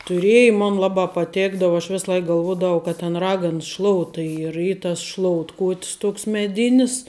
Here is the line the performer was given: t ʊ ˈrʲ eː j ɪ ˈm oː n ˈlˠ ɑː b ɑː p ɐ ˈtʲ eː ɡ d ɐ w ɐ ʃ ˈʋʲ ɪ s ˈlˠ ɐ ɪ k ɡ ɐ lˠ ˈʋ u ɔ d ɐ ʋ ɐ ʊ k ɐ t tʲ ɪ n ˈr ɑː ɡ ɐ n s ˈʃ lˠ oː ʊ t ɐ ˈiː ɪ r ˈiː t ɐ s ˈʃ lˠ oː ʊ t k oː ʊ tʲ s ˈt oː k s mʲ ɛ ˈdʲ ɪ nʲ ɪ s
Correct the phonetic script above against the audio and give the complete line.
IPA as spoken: t ʊ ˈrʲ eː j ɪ ˈm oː n ˈlˠ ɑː b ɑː p ɐ ˈtʲ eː ɡ d ɐ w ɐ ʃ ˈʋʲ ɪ s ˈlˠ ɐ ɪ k ɡ ɐ lˠ ˈʋ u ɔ d ɐ ʋ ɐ ʊ k ɐ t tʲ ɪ n ˈr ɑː ɡ ɐ n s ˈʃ lˠ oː ʊ t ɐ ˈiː ɪ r ˈiː t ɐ s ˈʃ lˠ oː ʊ t k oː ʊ tʲ s ˈt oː k s mʲ ɛ ˈdʲ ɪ nʲ ɪ s